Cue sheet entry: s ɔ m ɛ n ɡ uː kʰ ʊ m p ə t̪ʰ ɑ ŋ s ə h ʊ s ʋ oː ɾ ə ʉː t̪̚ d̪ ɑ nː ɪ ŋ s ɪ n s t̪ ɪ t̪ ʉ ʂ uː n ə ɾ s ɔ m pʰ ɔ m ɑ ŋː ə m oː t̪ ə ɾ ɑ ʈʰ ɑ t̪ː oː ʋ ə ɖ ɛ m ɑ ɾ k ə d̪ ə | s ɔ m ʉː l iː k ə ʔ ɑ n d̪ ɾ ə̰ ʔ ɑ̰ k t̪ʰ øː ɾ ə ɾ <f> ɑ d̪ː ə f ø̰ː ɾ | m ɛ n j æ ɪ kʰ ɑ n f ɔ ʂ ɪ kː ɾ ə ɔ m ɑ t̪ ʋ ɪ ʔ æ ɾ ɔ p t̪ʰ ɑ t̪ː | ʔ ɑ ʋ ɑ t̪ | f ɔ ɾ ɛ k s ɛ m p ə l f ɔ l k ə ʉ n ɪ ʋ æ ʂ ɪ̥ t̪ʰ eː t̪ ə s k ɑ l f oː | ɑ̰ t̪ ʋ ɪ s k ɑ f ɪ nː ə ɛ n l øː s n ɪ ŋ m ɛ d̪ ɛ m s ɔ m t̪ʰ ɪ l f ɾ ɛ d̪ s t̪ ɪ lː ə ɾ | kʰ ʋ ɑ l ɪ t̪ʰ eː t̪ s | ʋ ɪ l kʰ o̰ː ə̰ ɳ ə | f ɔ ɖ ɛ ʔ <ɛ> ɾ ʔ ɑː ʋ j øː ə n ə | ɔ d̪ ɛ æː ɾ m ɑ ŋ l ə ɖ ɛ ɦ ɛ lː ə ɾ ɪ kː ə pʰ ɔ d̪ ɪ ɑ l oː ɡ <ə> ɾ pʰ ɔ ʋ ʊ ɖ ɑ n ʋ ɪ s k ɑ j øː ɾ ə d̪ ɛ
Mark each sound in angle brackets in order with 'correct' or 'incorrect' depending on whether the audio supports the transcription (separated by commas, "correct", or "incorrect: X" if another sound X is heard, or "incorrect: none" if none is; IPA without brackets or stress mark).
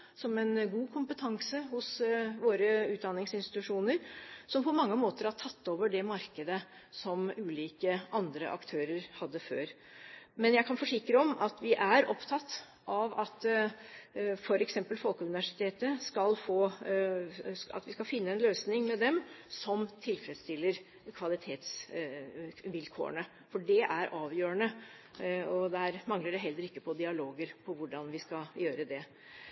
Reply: incorrect: h, incorrect: æ, correct